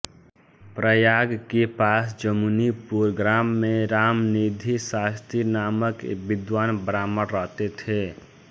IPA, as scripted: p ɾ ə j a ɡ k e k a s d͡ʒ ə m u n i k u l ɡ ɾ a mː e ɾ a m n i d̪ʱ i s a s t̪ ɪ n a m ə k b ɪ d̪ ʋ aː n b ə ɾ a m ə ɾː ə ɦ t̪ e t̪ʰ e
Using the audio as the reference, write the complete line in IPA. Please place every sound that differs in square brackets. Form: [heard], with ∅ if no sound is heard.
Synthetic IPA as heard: p ɾ ə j a ɡ k e [p] a s d͡ʒ ə m u n i [p] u [ɾ] ɡ ɾ a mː e ɾ a m n i d̪ʱ i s a s t̪ [i] n a m ə k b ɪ d̪ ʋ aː n b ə ɾ a m ə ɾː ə ɦ t̪ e t̪ʰ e